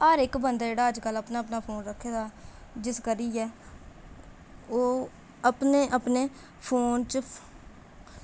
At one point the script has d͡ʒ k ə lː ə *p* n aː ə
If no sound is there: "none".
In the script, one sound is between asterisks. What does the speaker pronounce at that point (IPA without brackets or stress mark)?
p